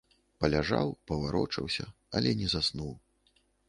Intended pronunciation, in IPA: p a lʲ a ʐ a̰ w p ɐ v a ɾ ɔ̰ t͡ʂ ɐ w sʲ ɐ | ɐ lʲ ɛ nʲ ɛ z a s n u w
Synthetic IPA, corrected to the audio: p ɐ lʲ a ʐ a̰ w p ɐ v a ɾ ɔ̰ t͡ʂ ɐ w sʲ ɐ | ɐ lʲ ɛ nʲ ɛ z a s n u w